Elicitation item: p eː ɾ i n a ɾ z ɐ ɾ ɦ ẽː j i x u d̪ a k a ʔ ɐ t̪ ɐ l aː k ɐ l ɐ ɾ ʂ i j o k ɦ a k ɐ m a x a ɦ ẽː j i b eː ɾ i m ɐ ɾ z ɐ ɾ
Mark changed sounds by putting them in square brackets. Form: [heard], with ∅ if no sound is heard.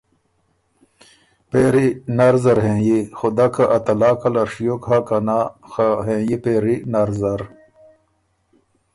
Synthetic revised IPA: p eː ɾ i n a ɾ z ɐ ɾ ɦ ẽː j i x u d̪ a k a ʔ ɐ t̪ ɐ l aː k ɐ l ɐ ɾ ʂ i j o k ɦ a k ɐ [n] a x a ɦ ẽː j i [p] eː ɾ i [n] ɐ ɾ z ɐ ɾ